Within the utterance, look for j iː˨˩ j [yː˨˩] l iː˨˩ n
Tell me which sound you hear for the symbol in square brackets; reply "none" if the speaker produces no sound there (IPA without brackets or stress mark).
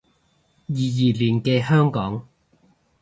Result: iː˨˩